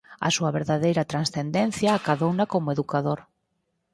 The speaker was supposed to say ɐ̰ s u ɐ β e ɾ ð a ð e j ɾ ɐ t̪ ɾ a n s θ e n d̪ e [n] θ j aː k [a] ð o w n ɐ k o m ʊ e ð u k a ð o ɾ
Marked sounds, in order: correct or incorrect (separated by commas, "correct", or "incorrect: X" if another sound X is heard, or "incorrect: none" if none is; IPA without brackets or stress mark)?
correct, correct